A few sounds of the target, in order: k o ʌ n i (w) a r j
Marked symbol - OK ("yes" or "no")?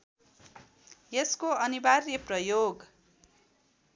no